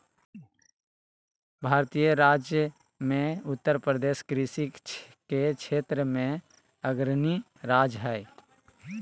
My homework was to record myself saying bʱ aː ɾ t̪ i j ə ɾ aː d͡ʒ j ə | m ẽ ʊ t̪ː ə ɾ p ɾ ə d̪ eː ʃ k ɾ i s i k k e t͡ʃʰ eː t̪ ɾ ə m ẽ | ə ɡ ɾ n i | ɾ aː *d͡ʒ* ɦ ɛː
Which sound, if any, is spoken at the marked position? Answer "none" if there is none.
d͡ʒ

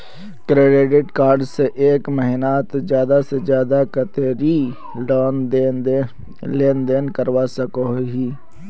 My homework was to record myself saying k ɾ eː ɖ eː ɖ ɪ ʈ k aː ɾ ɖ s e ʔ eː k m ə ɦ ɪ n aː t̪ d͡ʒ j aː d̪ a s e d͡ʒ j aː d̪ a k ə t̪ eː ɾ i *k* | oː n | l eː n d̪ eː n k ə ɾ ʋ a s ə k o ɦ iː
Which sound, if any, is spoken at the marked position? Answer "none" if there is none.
none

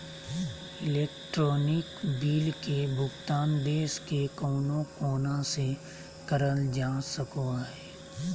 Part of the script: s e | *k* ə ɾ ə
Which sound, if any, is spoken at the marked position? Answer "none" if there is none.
k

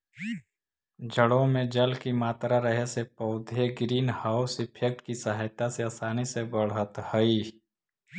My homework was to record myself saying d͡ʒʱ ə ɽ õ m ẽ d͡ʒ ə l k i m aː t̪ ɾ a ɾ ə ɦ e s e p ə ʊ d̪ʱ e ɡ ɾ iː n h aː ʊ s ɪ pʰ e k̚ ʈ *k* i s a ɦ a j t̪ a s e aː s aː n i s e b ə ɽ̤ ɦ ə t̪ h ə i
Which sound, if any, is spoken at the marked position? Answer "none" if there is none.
k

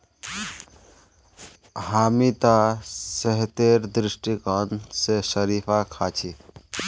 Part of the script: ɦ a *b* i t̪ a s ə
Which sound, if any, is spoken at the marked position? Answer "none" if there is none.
m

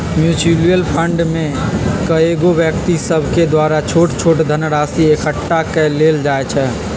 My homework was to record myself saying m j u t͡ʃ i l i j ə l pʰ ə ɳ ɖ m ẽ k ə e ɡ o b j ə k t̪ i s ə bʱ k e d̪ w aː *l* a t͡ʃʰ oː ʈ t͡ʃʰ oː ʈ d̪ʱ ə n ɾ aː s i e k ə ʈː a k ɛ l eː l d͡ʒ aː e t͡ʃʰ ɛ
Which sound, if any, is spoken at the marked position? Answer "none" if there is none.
ɾ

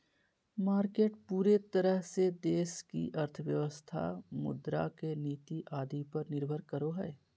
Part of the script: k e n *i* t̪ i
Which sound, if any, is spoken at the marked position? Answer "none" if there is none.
iː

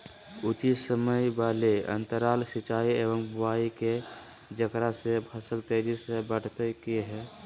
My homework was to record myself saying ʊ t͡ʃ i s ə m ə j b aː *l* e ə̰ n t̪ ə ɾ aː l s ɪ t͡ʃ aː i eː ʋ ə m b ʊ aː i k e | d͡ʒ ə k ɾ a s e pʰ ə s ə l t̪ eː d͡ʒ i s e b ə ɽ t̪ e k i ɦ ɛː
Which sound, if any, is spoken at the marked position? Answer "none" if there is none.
l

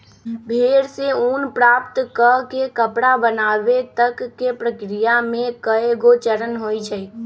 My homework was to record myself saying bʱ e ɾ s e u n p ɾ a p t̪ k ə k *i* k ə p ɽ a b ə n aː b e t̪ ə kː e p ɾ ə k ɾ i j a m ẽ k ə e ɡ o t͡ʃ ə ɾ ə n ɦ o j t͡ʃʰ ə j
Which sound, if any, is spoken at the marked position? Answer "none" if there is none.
e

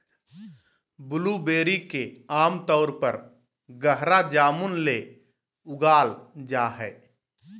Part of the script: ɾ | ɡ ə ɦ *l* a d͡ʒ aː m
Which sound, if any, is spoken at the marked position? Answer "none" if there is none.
ɾ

